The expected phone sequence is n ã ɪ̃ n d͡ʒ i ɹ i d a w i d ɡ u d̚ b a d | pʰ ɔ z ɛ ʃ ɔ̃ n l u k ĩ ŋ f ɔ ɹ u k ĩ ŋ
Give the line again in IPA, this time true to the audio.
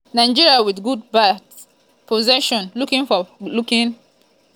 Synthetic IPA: n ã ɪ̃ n d͡ʒ i ɹ i a w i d ɡ u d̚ b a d | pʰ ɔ z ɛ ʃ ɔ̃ n l u k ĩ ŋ f ɔ l u k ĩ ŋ